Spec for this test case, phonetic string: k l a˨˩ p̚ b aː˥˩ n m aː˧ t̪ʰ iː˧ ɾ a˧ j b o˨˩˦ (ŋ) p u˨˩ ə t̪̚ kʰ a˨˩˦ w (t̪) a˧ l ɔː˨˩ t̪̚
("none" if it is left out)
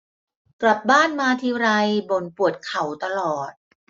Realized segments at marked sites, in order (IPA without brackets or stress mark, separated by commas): n, t̪